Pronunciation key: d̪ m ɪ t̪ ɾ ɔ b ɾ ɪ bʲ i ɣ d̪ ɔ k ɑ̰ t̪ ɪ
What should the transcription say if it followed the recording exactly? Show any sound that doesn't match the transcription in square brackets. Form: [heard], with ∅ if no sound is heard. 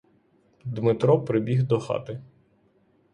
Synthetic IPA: d̪ m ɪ t̪ ɾ ɔ [p] ɾ ɪ bʲ i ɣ d̪ ɔ [x] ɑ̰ t̪ ɪ